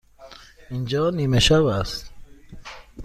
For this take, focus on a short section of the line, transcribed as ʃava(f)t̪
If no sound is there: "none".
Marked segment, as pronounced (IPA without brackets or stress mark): s